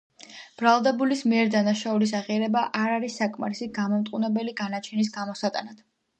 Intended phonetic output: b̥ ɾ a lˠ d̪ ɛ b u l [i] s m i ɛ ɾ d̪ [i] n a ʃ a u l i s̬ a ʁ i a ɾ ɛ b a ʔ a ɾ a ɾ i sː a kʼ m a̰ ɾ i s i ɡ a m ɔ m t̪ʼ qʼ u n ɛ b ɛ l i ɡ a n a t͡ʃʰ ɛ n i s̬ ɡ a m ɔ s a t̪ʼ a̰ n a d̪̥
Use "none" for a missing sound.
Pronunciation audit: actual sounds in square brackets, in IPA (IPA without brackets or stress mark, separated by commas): i, a